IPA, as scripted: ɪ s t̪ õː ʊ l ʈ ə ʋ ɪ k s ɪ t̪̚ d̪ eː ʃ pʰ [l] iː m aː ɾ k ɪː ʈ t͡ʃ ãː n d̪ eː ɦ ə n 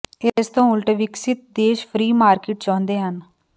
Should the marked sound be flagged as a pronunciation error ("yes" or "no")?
yes